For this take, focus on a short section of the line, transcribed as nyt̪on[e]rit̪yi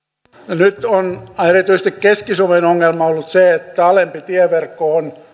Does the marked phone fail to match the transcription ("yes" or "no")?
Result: no